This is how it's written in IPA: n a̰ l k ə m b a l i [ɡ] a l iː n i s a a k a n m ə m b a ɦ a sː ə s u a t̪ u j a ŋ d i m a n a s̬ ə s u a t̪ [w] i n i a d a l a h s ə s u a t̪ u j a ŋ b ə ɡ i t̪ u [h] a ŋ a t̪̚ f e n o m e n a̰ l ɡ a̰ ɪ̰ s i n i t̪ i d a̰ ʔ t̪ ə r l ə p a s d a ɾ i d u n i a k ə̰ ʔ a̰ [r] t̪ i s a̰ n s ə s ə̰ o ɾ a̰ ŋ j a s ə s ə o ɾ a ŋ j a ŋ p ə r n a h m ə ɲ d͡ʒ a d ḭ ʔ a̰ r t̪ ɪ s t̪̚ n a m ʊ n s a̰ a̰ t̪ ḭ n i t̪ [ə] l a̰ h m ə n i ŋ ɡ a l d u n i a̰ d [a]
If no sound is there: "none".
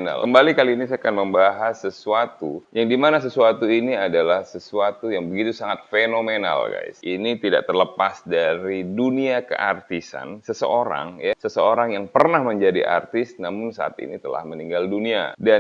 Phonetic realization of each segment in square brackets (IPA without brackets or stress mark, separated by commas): k, u, s, r, ə, a